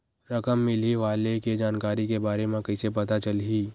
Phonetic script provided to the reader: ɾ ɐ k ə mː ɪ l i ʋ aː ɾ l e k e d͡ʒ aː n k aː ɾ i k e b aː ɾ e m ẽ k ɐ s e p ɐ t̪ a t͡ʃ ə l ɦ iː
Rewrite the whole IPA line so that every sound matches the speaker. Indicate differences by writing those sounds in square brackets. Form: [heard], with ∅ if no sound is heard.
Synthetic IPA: ɾ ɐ k ə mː ɪ l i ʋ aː [∅] l e k e d͡ʒ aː n k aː ɾ i k e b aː ɾ e m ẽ k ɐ s e p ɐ t̪ a t͡ʃ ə l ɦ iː